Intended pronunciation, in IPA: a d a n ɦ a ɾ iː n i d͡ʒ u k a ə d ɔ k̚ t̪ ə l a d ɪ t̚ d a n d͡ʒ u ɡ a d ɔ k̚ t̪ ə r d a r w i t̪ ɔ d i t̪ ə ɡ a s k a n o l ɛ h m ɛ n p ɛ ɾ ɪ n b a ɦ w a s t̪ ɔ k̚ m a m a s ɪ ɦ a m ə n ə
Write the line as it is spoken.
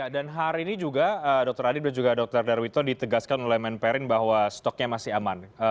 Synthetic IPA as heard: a d a n ɦ a ɾ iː n i d͡ʒ u ɡ a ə d ɔ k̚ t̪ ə ɾ a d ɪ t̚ d a n d͡ʒ u ɡ a d ɔ k̚ t̪ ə r d a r w i t̪ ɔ d i t̪ ə ɡ a s k a n o l ɛ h m ɛ n p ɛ ɾ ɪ n b a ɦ w a s t̪ ɔ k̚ ɲ a m a s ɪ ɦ a m a n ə